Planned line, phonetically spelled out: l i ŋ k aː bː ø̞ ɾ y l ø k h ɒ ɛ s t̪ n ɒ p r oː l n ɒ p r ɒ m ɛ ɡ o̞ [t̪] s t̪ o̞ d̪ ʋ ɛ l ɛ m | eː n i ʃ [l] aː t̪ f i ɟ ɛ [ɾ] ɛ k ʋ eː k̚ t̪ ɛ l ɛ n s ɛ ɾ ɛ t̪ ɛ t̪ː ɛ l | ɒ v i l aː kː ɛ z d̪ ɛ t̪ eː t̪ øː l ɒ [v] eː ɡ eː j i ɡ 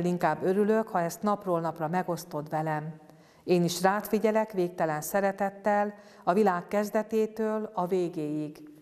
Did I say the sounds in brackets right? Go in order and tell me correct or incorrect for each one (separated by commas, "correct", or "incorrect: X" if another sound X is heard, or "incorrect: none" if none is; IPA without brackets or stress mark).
incorrect: none, incorrect: r, incorrect: l, correct